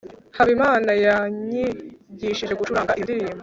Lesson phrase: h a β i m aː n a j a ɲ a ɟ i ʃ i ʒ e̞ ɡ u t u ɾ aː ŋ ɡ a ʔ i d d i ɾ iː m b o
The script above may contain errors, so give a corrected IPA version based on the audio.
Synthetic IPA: h a β i m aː n a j a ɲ i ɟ i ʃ i ʒ e̞ ɡ u t͡ʃ u ɾ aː ŋ ɡ a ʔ i n d i ɾ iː m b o